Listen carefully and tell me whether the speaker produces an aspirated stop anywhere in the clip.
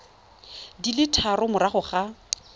yes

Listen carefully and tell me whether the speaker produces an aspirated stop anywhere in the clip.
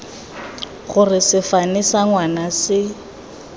no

